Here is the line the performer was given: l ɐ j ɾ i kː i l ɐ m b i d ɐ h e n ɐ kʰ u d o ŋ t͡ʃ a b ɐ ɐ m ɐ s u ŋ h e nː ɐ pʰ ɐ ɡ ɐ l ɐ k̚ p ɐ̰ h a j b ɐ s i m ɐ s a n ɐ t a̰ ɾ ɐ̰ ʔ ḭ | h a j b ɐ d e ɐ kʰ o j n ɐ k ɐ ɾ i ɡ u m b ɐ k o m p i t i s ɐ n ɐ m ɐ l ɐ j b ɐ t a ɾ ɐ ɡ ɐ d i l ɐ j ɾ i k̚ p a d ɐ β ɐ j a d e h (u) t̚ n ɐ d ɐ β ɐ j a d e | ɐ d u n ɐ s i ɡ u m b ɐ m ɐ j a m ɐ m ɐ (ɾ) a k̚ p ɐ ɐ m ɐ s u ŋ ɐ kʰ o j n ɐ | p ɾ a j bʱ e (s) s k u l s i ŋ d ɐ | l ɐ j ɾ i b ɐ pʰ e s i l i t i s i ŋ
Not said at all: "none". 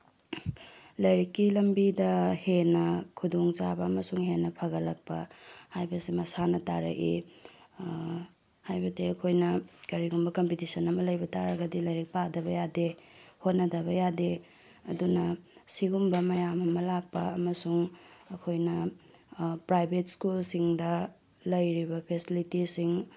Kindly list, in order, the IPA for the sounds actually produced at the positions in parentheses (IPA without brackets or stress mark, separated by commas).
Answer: o, l, t